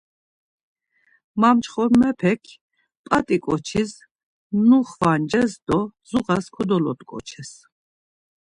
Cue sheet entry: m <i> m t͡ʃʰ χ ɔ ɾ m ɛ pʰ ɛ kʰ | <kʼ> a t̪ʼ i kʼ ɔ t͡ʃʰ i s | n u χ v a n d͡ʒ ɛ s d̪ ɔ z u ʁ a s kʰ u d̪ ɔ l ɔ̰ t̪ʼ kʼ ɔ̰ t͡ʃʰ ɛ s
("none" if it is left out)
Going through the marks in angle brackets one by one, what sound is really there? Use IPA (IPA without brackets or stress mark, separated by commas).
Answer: a, pʼ